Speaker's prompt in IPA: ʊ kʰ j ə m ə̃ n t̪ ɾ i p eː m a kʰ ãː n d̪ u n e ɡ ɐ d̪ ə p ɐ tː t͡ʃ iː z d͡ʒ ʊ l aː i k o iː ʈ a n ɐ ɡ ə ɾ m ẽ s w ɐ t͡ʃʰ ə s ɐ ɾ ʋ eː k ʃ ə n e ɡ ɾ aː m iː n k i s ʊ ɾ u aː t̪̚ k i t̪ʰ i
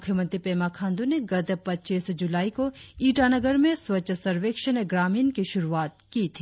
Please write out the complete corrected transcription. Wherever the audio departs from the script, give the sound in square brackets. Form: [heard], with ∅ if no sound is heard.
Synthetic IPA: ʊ kʰ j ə m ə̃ n t̪ ɾ i p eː m a kʰ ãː n d̪ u n e ɡ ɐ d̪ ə p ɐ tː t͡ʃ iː [s] d͡ʒ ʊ l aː i k o iː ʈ a n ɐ ɡ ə ɾ m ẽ s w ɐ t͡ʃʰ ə s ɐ ɾ ʋ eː k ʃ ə n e ɡ ɾ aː m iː n k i [ʃ] ʊ ɾ u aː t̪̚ k i t̪ʰ i